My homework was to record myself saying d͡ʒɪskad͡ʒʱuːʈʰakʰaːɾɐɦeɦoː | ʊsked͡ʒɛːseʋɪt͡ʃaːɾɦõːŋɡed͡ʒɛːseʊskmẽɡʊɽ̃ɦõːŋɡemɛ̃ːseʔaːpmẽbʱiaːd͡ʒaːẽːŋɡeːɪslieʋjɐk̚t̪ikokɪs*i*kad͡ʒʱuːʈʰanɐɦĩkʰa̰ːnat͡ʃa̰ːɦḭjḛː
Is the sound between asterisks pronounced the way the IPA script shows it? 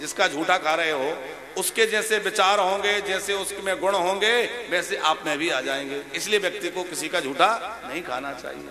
yes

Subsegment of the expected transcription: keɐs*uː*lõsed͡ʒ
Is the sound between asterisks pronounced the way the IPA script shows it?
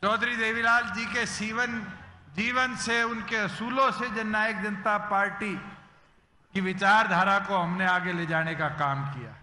yes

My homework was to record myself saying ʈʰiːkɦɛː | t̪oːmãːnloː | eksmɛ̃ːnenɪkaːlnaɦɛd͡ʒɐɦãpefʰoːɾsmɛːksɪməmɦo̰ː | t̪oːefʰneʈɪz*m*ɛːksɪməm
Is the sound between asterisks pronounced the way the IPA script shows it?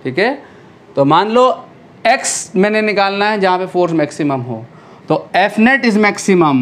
yes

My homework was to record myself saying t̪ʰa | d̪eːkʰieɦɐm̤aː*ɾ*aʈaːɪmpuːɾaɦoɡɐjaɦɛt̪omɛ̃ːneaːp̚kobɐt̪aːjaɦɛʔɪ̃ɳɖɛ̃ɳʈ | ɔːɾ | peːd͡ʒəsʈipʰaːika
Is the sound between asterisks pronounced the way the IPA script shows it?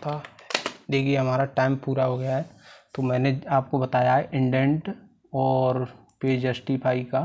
yes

